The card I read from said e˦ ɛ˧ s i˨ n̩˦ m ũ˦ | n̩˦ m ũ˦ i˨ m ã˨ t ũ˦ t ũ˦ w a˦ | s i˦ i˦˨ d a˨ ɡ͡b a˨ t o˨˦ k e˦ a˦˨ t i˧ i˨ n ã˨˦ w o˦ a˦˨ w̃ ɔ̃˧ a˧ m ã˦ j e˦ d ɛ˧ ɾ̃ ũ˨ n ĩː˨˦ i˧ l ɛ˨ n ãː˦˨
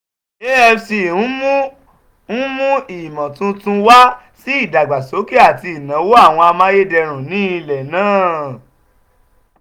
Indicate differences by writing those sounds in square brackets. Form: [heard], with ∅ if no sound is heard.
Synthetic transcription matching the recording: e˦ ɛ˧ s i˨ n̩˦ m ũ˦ | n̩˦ m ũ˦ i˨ m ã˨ t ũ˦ t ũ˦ w a˦ | s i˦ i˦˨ d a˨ ɡ͡b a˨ [s] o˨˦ k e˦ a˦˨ t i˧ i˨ n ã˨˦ w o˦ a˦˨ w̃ ɔ̃˧ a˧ m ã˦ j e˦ d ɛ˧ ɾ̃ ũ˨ n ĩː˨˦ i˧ l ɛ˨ n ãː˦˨